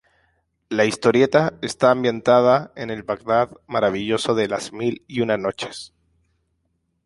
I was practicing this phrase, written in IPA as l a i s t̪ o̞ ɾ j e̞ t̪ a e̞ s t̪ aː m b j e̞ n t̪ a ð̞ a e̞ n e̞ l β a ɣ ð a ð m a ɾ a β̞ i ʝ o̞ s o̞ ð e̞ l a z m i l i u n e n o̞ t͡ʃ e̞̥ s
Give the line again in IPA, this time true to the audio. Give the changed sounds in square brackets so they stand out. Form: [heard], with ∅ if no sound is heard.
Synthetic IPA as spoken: l a i s t̪ o̞ ɾ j e̞ t̪ a e̞ s t̪ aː m b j e̞ n t̪ a ð̞ a e̞ n e̞ l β a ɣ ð a ð m a ɾ a β̞ i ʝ o̞ s o̞ ð e̞ l a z m i l i u n [a] n o̞ t͡ʃ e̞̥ s